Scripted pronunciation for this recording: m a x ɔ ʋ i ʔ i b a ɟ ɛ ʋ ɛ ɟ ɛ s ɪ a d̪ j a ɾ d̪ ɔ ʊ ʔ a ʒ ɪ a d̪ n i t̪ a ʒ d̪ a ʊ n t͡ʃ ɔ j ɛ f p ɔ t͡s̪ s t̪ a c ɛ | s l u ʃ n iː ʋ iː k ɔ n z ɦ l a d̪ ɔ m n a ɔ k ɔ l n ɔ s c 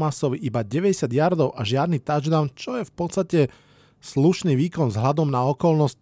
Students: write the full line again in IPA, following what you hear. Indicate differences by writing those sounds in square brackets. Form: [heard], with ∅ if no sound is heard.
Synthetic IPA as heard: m a [s] ɔ ʋ i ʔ i b a ɟ ɛ ʋ ɛ ɟ ɛ s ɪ a d̪ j a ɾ d̪ ɔ ʊ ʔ a ʒ ɪ a d̪ n i t̪ a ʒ d̪ a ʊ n t͡ʃ ɔ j ɛ f p ɔ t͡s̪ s t̪ a c ɛ | s l u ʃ n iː ʋ iː k ɔ n z ɦ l a d̪ ɔ m n a ɔ k ɔ l n ɔ s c